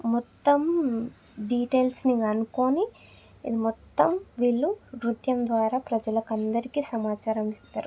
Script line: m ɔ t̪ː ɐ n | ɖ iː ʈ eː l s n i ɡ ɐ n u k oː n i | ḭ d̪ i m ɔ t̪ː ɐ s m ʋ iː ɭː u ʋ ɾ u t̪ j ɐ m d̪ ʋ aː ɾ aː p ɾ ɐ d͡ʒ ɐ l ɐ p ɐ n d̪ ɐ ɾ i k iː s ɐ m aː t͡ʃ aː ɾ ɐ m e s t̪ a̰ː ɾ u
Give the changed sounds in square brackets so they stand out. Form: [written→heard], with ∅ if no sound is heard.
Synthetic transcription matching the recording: m ɔ t̪ː ɐ [n→m] | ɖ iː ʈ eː l s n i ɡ ɐ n u k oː n i | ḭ d̪ i m ɔ t̪ː ɐ [s→∅] m ʋ iː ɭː u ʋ ɾ u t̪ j ɐ m d̪ ʋ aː ɾ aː p ɾ ɐ d͡ʒ ɐ l ɐ [p→k] ɐ n d̪ ɐ ɾ i k iː s ɐ m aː t͡ʃ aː ɾ ɐ m [e→i] s t̪ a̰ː ɾ u